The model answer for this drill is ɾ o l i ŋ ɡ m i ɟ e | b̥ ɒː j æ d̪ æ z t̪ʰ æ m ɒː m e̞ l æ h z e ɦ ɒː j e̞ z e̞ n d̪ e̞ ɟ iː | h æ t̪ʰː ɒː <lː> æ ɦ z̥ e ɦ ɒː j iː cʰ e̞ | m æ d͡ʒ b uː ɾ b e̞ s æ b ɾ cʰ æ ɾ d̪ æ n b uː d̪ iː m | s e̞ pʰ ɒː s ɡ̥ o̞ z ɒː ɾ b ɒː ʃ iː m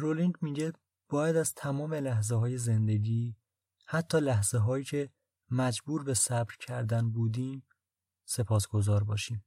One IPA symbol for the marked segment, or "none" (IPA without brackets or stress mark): l